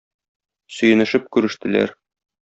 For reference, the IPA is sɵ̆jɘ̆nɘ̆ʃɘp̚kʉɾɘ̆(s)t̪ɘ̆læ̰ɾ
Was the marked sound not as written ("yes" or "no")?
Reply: yes